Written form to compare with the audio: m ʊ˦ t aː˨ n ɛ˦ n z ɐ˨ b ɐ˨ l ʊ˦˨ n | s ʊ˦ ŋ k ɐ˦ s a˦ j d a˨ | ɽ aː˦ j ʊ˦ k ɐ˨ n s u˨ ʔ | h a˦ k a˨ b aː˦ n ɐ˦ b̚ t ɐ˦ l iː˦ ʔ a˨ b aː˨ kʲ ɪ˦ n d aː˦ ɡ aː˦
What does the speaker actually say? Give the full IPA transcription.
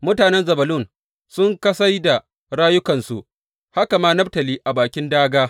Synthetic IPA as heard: m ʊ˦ t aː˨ n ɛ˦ n z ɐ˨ b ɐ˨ l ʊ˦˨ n | s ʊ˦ ŋ k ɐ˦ s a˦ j d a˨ | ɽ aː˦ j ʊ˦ k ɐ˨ n s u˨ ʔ | h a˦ k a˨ m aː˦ n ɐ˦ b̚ t ɐ˨ l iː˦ ʔ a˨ b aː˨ kʲ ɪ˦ n d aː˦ ɡ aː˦

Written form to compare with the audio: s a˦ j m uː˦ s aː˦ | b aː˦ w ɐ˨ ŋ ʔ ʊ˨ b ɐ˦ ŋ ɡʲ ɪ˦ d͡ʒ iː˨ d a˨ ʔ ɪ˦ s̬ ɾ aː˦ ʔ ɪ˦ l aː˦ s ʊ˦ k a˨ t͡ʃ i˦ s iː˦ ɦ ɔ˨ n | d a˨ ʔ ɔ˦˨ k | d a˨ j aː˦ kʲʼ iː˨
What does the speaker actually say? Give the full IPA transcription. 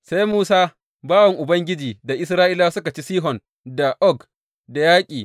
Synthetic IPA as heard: s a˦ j m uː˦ s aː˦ | b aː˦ w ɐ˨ ŋ ʔ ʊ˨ b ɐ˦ ŋ ɡʲ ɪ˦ d͡ʒ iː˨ d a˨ ʔ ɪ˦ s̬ ɾ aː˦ ʔ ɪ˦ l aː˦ s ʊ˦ k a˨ t͡ʃ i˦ s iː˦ ɦ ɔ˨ n | d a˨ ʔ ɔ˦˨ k | d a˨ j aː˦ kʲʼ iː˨

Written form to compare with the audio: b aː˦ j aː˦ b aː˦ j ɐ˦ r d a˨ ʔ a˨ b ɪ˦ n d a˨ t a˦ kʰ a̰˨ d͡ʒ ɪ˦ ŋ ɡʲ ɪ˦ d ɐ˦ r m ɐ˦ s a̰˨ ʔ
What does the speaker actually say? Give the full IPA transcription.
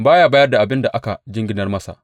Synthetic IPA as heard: b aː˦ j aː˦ b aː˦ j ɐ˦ r d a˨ ʔ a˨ b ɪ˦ n d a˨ ʔ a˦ k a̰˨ d͡ʒ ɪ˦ ŋ ɡʲ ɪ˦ n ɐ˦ r m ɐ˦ s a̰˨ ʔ

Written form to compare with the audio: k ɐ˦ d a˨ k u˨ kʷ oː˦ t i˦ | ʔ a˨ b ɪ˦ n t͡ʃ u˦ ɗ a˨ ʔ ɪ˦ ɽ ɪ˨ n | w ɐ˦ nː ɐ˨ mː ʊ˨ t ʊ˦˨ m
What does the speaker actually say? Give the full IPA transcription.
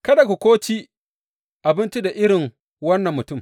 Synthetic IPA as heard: k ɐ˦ d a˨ k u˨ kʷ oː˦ t͡ʃ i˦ | ʔ a˨ b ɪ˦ n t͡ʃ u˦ d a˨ ʔ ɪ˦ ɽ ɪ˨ ŋ | w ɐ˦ nː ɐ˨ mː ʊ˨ t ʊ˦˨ m

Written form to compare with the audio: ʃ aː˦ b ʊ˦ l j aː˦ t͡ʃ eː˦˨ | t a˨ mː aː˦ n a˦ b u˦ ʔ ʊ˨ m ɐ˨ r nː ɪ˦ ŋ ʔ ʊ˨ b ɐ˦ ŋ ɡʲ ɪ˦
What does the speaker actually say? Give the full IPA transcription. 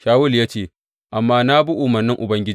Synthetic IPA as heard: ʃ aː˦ w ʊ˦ l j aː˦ t͡ʃ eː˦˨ | ʔ a˨ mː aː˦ n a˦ b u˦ ʔ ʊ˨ m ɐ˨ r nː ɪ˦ ŋ ʔ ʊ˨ b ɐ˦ ŋ ɡʲ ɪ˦

